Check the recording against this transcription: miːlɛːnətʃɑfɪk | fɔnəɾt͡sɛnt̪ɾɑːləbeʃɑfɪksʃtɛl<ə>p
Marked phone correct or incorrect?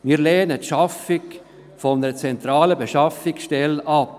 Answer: incorrect